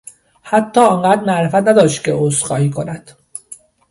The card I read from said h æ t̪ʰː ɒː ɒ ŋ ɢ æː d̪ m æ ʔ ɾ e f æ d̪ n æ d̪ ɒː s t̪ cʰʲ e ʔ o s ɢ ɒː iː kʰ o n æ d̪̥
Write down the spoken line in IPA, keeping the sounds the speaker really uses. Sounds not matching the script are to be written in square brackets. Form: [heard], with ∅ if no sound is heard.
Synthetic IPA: h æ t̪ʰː ɒː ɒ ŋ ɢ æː d̪ m æ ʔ ɾ e f æ [t̪] n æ d̪ ɒː [ʃ] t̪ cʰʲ e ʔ o s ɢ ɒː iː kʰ o n æ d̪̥